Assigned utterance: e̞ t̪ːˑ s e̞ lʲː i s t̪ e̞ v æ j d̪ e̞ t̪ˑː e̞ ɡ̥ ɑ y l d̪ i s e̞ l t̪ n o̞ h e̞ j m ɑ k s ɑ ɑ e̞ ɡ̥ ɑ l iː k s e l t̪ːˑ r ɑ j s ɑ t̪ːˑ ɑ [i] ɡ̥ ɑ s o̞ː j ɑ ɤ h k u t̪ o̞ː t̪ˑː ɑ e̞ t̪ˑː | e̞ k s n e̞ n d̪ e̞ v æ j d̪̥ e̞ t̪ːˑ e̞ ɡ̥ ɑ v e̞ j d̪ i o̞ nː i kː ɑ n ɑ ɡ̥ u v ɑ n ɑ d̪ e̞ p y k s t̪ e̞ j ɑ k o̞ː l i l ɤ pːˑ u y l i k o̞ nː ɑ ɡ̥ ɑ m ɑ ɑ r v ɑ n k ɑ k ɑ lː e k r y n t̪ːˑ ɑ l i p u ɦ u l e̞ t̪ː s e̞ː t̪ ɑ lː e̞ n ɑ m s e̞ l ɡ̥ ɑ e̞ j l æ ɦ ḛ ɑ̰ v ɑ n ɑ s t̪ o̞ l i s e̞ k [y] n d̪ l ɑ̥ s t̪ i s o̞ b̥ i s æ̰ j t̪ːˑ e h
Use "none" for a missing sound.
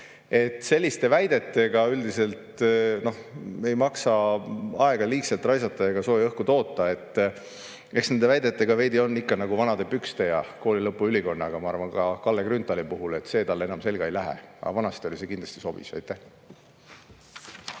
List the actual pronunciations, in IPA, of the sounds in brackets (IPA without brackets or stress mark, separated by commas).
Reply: e, i